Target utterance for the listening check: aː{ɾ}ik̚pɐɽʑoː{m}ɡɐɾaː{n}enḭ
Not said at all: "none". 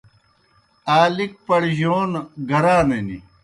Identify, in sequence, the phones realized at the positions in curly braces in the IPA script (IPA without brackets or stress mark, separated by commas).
l, n, n